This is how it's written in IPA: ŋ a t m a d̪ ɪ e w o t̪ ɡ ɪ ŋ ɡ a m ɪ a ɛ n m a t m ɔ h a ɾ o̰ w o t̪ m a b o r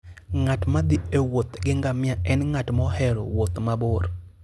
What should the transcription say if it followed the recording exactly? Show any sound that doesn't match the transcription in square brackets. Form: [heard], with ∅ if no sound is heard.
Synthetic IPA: ŋ a t m a d̪ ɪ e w o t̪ ɡ ɪ ŋ ɡ a m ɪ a ɛ n [ŋ] a t m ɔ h [ɛ] ɾ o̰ w o t̪ m a b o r